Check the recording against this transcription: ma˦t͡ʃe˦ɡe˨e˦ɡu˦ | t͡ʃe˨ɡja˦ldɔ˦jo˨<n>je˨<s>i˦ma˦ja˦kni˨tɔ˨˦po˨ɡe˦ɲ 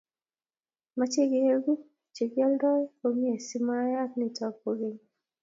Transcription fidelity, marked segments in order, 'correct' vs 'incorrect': incorrect: m, correct

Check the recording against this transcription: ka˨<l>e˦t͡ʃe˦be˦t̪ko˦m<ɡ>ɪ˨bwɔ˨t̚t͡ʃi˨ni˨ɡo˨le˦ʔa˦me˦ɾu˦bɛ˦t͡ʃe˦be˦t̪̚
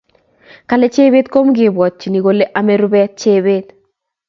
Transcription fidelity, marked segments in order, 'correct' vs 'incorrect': correct, correct

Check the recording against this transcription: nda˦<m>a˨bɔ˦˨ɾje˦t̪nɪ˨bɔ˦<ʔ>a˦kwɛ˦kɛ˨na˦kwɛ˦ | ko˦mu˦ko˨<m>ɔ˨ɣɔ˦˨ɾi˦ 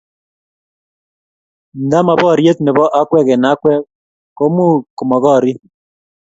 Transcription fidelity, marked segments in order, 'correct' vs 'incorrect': correct, correct, correct

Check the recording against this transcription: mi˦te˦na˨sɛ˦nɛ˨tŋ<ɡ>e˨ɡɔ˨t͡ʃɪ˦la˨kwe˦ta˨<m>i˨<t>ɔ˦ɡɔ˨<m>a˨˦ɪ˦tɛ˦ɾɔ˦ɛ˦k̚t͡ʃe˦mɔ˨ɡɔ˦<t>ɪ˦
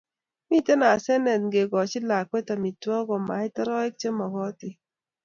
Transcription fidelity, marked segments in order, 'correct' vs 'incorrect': correct, correct, correct, correct, correct

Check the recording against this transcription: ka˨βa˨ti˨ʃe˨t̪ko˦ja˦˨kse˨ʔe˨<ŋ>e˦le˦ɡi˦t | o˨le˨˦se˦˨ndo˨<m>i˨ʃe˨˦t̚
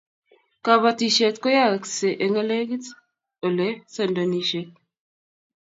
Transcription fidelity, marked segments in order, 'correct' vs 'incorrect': correct, incorrect: n

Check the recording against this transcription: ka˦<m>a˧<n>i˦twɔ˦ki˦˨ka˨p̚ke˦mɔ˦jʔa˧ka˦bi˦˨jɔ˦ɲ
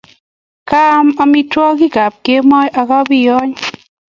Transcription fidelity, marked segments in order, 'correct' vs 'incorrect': correct, incorrect: m

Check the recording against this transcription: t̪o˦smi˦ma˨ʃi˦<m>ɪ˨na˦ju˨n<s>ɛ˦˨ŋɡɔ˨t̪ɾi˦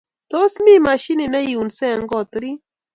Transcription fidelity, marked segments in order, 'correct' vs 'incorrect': incorrect: n, correct

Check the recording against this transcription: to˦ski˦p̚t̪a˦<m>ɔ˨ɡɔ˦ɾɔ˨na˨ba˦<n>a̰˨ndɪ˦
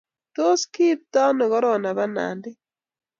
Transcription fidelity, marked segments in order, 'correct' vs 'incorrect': incorrect: n, correct

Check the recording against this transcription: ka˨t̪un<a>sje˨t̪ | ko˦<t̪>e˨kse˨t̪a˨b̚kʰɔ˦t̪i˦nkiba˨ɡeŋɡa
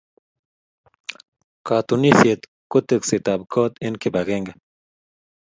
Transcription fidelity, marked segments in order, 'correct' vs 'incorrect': incorrect: i, correct

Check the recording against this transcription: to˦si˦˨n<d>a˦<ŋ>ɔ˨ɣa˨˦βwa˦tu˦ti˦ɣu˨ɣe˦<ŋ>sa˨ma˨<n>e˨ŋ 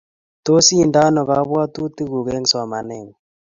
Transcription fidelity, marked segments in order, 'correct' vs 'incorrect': correct, incorrect: n, correct, correct

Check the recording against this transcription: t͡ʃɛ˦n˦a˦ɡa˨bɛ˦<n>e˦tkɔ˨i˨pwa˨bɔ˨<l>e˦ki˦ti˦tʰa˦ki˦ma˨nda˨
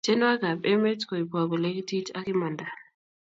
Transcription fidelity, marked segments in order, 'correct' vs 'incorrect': incorrect: m, correct

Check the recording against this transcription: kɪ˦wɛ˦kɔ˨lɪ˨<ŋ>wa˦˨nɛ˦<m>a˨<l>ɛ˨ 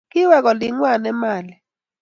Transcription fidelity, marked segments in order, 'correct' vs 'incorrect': correct, correct, correct

